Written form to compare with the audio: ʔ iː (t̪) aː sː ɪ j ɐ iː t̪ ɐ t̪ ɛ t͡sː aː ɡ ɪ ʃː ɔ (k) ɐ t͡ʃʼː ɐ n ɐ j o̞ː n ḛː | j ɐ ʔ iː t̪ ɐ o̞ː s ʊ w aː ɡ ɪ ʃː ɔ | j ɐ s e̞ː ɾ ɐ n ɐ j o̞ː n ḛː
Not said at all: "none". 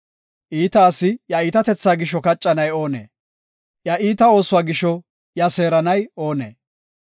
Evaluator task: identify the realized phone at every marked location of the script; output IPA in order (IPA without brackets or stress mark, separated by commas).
t̪, k